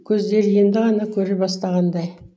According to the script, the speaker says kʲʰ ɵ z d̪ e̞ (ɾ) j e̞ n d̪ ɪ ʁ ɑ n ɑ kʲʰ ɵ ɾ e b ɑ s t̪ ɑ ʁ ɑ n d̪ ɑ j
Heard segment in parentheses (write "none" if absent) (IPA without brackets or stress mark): ɾ